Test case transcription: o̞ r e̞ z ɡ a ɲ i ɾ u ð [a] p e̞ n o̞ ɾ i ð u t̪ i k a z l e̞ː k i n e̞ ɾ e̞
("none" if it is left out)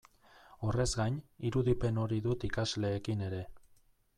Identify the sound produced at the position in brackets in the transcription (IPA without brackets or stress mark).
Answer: i